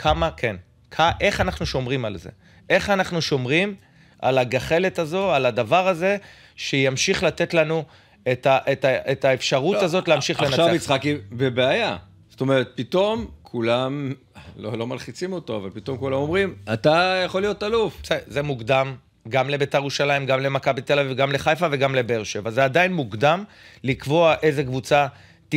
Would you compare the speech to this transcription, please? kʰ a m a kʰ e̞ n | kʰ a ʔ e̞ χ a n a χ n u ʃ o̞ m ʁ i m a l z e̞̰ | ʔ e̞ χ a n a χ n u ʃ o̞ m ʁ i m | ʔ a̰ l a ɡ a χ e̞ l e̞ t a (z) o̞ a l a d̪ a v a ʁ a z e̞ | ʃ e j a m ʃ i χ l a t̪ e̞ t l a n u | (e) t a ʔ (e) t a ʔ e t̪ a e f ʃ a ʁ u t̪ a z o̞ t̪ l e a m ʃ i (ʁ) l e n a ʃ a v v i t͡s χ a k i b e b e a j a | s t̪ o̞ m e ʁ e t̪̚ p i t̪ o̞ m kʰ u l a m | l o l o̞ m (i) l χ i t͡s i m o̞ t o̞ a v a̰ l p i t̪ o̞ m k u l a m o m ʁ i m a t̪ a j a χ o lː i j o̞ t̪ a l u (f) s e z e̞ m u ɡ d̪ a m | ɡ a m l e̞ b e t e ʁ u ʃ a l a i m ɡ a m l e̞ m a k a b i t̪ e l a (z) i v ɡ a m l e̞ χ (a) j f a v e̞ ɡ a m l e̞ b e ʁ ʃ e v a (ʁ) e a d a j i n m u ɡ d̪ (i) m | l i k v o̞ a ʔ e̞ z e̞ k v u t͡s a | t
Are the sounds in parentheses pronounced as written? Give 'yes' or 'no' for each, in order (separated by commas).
yes, yes, yes, no, no, yes, no, yes, no, no